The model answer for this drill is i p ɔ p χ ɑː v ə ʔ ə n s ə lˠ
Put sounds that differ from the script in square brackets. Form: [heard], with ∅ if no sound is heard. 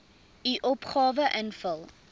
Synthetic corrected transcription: i [ʔ] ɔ p χ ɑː v ə ʔ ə n [f] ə lˠ